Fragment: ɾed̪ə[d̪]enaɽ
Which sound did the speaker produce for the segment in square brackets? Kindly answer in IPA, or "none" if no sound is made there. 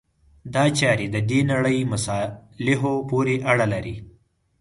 d̪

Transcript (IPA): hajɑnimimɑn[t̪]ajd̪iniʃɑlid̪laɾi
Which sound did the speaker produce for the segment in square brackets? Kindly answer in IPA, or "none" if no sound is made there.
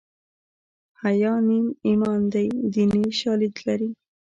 d̪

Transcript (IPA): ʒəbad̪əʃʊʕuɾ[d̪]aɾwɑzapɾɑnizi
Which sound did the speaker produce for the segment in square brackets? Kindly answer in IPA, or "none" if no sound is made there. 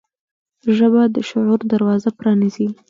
d̪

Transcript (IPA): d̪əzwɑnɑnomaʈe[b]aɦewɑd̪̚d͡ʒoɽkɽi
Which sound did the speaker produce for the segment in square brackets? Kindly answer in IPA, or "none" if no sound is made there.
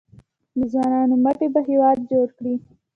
b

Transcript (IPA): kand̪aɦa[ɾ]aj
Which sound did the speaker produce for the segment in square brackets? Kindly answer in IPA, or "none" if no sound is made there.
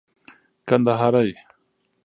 ɾ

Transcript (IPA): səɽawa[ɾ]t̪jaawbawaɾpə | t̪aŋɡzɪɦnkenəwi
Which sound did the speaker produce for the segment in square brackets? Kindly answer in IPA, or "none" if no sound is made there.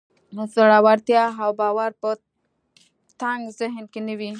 ɾ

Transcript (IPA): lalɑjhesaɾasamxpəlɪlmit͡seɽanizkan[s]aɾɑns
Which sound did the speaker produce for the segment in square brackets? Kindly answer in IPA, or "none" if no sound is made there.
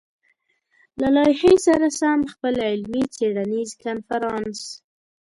f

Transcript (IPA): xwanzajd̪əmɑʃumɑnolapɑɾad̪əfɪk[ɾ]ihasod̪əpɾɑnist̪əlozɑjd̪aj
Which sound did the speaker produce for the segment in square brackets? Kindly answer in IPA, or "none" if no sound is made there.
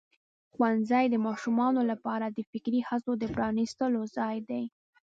ɾ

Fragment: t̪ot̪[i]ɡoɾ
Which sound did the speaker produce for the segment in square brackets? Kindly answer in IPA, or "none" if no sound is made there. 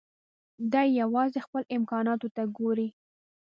a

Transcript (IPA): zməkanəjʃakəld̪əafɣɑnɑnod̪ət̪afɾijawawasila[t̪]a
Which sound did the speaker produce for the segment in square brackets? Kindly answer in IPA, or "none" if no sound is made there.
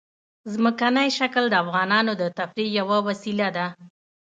d̪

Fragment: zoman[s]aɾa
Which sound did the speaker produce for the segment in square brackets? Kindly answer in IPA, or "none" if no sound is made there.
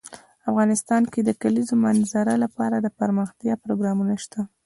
z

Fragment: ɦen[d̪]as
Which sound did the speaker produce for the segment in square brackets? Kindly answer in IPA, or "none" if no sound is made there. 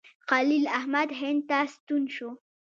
t̪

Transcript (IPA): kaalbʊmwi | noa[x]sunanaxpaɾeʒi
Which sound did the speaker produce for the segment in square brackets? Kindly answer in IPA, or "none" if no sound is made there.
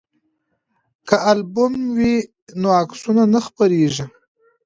k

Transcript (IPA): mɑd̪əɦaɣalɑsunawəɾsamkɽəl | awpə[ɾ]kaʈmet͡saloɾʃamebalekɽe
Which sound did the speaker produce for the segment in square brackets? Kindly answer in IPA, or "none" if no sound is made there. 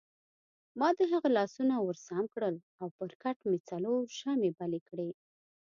ɾ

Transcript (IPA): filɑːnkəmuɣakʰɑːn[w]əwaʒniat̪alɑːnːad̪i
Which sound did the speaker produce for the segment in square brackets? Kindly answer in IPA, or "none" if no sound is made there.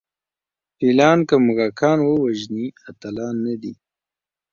w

